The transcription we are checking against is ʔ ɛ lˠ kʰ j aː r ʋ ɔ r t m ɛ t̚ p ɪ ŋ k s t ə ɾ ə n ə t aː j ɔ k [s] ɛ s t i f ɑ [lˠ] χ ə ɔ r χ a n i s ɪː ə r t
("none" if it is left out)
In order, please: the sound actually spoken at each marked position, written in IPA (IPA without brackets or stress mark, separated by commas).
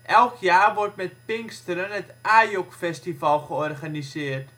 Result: f, lˠ